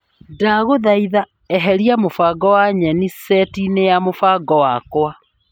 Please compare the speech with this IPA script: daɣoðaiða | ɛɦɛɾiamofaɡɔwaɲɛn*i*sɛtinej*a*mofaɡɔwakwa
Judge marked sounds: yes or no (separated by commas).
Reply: yes, yes